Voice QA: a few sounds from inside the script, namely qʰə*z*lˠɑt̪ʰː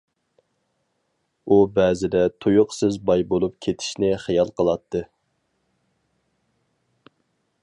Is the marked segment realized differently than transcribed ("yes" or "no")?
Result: yes